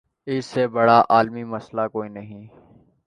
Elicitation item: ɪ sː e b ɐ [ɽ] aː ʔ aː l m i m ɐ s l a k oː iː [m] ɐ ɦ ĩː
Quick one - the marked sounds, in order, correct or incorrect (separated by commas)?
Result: correct, incorrect